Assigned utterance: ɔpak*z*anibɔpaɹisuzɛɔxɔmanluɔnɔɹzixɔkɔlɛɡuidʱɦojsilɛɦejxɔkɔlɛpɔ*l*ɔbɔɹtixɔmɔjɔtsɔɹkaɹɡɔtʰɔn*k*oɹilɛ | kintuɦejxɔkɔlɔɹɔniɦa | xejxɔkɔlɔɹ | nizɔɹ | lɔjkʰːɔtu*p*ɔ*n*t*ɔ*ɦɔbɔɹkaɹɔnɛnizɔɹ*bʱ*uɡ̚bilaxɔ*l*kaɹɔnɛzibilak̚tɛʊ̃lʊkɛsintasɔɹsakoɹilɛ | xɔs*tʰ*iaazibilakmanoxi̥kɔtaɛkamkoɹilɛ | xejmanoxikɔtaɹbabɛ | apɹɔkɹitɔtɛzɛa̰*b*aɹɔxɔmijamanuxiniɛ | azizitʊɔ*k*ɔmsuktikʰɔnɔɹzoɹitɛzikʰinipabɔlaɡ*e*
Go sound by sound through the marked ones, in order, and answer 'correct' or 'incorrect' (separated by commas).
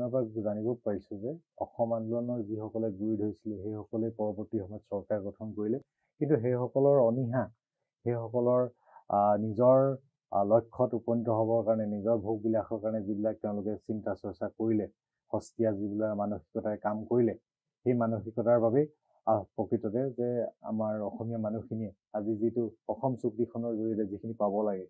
correct, incorrect, correct, correct, correct, correct, correct, incorrect, incorrect, incorrect, incorrect, incorrect